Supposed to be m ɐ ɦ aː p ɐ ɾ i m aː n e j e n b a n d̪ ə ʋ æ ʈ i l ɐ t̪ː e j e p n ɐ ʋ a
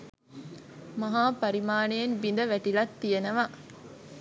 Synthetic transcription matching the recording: m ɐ ɦ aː p ɐ ɾ i m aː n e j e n b i n d̪ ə ʋ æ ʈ i l ɐ t̪ː i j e n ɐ ʋ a